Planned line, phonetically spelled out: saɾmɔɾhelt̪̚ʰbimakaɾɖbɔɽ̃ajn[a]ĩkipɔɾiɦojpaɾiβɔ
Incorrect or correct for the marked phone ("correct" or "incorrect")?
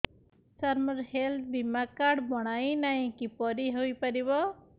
correct